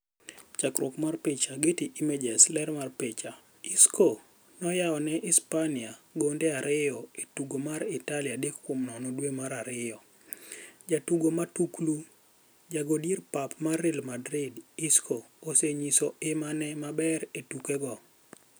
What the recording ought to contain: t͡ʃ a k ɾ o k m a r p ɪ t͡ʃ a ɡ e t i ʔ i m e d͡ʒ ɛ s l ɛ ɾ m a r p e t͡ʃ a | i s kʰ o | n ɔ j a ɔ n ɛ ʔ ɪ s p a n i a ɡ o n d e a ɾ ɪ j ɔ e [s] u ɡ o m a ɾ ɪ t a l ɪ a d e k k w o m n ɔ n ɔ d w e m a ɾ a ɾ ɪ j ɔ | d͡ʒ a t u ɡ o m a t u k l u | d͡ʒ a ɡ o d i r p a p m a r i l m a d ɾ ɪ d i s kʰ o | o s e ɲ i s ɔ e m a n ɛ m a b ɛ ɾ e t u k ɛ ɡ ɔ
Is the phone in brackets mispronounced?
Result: yes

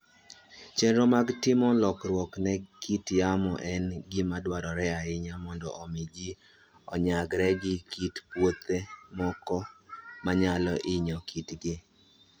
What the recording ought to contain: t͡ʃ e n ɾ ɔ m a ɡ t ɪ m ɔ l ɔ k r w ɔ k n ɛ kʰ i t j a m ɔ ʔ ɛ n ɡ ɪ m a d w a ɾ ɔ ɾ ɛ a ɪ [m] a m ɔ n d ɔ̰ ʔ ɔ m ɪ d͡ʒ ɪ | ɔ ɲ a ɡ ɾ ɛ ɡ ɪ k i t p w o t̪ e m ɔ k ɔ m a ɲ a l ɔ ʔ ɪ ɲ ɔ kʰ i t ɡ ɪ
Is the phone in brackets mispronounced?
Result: yes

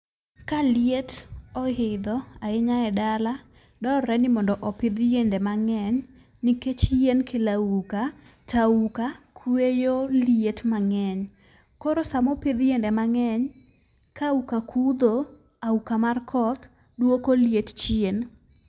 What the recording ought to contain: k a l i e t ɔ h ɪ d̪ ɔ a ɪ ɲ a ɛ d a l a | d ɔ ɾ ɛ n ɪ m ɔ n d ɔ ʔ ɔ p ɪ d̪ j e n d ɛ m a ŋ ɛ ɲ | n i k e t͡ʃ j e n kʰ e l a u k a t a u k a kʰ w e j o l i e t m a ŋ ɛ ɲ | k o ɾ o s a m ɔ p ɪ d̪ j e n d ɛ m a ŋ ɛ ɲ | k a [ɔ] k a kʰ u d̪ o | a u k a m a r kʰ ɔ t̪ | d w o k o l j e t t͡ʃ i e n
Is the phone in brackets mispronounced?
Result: yes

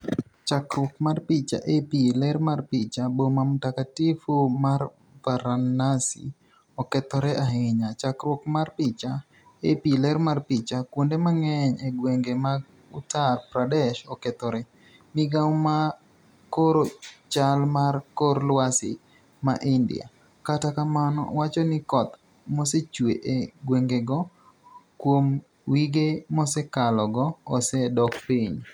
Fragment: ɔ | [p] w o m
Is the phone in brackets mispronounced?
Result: yes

